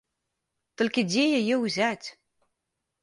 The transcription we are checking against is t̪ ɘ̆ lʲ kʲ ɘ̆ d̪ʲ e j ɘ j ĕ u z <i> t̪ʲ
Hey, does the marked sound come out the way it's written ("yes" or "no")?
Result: no